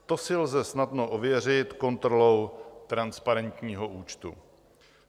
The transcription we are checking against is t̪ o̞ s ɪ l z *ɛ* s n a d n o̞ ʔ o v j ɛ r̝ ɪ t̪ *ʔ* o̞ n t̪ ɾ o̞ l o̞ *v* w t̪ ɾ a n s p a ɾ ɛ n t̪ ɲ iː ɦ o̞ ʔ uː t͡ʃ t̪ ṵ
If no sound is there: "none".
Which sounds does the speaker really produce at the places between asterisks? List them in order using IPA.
ɛ, k, none

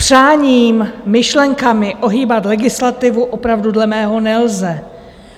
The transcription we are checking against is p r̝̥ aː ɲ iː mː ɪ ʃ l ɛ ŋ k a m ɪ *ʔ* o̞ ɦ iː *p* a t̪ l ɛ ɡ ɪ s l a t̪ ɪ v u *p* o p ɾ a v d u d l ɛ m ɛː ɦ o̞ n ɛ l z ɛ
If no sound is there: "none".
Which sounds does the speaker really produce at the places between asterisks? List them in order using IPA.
ʔ, b, ʔ

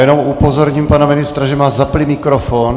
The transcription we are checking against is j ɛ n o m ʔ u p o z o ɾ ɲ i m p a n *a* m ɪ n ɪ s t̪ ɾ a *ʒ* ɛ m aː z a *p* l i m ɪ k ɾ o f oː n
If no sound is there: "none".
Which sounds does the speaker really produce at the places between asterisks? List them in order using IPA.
a, ʒ, p

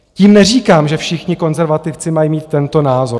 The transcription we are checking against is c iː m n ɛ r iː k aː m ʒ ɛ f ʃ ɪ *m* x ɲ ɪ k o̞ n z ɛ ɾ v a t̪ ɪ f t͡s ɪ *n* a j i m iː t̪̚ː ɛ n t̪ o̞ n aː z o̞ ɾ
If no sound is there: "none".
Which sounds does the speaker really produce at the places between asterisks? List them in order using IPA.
none, m

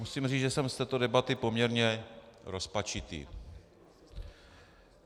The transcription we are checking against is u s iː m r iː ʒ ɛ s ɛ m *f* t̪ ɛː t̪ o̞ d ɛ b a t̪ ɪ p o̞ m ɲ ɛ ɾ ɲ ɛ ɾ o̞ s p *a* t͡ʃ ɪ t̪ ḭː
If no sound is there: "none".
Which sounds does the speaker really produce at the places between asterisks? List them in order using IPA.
s, a

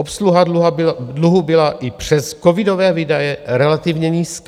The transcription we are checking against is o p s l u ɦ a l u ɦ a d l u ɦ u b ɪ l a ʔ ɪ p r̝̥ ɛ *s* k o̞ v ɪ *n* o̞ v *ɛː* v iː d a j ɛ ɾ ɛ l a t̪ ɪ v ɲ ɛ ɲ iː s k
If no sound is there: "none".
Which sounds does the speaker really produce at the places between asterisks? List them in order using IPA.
s, d, ɛː

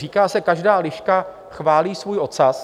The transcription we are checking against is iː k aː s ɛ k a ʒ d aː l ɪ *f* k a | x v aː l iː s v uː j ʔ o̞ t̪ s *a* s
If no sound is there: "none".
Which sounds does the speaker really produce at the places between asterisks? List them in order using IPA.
ʃ, a

